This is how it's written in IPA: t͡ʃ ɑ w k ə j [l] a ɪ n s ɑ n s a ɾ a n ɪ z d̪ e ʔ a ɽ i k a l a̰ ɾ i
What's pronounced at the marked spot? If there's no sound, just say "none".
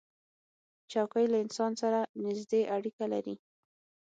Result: l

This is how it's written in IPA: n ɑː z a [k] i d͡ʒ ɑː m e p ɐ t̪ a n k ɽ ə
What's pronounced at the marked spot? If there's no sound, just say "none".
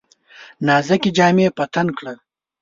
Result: k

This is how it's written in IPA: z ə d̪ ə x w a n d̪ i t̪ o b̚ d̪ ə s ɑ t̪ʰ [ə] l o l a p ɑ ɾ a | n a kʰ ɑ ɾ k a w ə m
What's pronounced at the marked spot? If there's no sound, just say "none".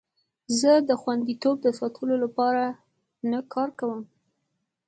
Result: ə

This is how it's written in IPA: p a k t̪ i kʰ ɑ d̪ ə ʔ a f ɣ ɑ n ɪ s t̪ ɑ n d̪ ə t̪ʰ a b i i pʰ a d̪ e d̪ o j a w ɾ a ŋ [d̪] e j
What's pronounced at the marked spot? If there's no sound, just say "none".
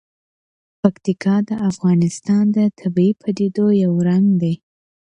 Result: d̪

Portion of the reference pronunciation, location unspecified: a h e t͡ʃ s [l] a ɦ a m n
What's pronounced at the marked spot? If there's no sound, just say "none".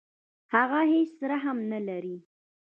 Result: ɾ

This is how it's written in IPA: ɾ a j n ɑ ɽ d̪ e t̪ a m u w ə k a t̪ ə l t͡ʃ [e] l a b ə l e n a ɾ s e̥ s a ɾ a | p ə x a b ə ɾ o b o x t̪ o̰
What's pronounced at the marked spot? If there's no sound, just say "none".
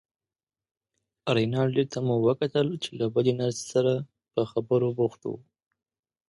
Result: e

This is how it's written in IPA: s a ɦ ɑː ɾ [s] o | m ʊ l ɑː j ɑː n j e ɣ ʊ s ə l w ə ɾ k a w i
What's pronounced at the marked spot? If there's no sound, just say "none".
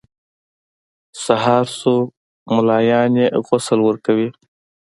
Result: s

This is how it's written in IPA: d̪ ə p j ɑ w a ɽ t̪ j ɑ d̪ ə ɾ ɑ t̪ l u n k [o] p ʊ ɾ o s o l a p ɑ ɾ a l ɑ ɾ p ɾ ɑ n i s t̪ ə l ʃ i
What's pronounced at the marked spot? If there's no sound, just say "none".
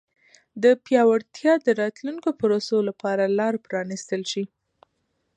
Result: o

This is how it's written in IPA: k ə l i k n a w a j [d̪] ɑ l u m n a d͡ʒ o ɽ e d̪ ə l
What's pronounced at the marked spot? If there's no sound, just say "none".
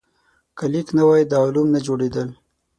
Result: d̪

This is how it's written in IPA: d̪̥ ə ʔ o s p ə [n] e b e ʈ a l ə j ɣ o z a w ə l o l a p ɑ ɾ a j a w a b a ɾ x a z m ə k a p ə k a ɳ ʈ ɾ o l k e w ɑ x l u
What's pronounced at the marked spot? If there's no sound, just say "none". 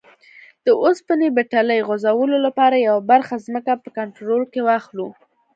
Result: n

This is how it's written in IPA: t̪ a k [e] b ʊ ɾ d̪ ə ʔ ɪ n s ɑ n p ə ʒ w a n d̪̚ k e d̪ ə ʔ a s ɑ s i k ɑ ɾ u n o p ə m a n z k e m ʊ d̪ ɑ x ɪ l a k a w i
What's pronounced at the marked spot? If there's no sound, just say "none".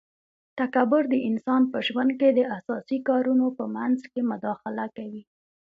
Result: a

